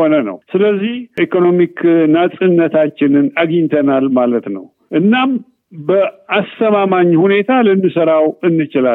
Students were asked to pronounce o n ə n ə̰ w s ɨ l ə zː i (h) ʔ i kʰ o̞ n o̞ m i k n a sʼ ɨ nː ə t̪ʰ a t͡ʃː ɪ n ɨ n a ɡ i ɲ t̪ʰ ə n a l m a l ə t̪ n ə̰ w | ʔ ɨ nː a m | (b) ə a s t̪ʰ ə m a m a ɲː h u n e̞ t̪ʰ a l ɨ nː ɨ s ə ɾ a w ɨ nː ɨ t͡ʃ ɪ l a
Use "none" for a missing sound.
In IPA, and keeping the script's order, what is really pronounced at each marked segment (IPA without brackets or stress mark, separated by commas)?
h, b